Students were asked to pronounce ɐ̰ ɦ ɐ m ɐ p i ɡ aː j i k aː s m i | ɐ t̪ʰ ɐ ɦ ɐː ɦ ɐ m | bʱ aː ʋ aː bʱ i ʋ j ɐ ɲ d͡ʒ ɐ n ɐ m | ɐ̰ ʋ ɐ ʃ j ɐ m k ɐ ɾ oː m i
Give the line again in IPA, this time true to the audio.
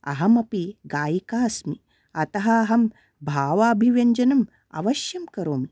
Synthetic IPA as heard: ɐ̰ ɦ ɐ m ɐ p i ɡ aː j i k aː s m i | ɐ t̪ ɐ ɦ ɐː ɦ ɐ m | bʱ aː ʋ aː bʱ i ʋ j ɐ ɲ d͡ʒ ɐ n ɐ m | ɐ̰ ʋ ɐ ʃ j ɐ m k ɐ ɾ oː m i